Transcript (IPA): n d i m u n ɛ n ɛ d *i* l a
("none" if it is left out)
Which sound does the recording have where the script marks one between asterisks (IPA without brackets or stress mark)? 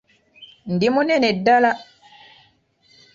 a